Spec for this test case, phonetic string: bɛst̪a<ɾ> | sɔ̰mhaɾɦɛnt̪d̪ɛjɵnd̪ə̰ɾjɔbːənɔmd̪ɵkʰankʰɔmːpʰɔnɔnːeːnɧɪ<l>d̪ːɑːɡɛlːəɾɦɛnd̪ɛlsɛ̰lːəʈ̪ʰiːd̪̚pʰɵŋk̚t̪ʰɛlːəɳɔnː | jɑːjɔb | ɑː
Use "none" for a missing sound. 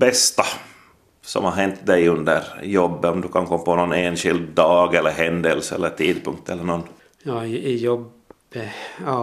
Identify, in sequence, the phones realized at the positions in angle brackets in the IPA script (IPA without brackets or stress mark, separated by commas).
none, l